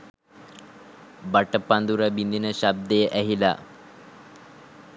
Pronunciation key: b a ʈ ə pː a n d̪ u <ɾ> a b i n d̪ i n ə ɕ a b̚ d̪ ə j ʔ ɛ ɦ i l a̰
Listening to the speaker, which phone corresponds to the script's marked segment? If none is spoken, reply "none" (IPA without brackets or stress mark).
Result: ɾ